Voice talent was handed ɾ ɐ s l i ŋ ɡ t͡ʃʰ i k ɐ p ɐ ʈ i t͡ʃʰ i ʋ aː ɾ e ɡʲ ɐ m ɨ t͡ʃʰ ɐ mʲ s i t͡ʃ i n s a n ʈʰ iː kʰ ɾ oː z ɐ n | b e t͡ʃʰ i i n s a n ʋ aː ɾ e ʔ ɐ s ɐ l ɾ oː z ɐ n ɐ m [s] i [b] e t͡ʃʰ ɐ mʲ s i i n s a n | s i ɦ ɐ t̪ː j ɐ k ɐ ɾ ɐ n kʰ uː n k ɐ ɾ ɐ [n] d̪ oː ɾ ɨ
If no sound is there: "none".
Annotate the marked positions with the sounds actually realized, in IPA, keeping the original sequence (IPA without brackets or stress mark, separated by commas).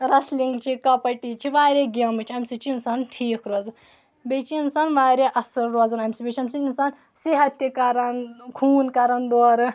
s, b, n